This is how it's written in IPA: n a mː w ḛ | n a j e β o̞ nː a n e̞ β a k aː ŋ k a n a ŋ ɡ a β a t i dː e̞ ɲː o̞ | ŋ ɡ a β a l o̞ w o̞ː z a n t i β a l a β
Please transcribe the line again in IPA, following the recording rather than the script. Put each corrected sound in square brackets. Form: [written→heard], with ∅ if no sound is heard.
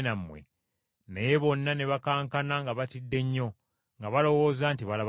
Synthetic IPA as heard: n a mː w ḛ | n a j e β o̞ nː a n e̞ β a k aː ŋ k a n a ŋ ɡ a β a t i dː e̞ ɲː o̞ | ŋ ɡ a β a l o̞ w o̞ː z a n t i β a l a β